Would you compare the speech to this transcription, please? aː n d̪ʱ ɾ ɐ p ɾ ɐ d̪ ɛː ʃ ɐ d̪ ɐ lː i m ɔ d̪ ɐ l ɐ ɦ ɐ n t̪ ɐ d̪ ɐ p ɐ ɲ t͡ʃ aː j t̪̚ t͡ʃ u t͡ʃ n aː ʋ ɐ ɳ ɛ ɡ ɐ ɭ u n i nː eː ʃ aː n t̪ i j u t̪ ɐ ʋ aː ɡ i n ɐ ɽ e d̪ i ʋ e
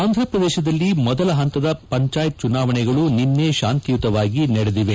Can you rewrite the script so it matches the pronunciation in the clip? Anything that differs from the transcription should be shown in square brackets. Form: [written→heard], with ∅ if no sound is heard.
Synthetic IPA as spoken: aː n d̪ʱ ɾ ɐ p ɾ ɐ d̪ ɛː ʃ ɐ d̪ ɐ lː i m ɔ d̪ ɐ l ɐ ɦ ɐ n t̪ ɐ d̪ ɐ p ɐ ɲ t͡ʃ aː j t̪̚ t͡ʃ u [t͡ʃ→∅] n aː ʋ ɐ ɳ ɛ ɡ ɐ ɭ u n i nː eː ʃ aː n t̪ i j u t̪ ɐ ʋ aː ɡ i n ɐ ɽ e d̪ i ʋ e